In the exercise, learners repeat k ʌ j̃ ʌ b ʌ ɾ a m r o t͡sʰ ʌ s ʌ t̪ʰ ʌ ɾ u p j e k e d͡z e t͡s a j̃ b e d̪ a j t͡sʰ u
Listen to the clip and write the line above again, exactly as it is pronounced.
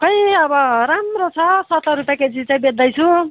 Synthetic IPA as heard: k ʌ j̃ ʌ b ʌ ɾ a m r o t͡sʰ ʌ s ʌ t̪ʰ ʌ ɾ u p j a k e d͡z i t͡s a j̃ b e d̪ ʌ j t͡sʰ u